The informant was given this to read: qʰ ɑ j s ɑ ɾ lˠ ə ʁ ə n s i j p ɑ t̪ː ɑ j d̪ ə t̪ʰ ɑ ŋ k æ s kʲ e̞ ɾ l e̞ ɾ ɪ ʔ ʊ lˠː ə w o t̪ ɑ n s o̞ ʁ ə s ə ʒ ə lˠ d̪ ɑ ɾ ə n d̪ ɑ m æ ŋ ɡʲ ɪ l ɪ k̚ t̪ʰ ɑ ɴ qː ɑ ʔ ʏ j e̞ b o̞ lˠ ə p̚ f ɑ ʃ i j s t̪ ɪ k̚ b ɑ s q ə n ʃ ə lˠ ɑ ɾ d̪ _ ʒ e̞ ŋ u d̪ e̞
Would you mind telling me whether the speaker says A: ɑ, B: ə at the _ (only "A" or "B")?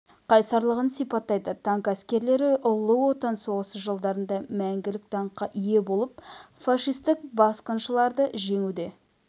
B